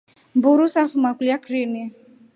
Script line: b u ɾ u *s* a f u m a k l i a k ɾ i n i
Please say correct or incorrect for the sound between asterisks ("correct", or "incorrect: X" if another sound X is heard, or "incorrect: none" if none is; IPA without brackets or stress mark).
correct